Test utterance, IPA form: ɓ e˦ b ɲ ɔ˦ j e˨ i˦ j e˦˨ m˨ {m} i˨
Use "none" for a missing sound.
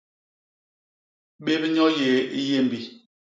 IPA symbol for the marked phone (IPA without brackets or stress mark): b